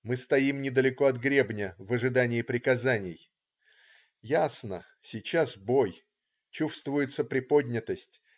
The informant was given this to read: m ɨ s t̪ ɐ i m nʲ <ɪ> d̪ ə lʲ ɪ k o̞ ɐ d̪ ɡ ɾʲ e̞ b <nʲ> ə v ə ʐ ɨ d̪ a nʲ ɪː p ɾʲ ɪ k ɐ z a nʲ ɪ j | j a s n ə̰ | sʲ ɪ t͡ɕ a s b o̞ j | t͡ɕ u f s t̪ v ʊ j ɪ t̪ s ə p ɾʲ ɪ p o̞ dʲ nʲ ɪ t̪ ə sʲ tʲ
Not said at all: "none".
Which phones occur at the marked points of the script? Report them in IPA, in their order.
ɪ, nʲ

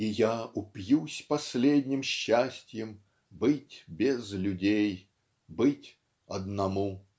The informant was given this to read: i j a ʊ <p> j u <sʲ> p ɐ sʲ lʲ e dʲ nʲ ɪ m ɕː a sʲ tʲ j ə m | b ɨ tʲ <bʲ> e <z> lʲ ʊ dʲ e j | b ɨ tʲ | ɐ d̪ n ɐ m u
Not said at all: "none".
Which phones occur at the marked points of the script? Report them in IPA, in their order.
p, sʲ, bʲ, z

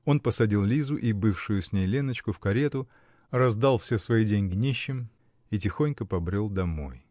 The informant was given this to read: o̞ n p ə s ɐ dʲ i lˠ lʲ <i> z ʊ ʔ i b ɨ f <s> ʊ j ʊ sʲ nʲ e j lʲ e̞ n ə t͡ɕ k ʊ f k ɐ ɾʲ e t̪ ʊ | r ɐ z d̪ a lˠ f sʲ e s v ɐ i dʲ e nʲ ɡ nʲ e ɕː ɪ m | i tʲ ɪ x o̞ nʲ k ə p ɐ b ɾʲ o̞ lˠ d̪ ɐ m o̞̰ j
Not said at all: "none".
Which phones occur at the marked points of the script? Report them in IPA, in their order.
i, ʂ

